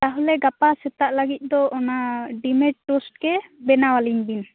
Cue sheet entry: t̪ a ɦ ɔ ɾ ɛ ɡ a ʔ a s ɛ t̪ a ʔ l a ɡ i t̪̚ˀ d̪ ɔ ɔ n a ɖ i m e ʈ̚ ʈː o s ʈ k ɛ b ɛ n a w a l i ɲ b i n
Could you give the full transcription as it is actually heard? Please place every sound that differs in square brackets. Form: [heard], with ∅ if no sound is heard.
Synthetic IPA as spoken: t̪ a ɦ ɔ [l] ɛ ɡ a [p] a s ɛ t̪ a ʔ l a ɡ i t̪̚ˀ d̪ ɔ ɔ n a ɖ i m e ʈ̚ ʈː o s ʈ k ɛ b ɛ n a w a l i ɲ b i n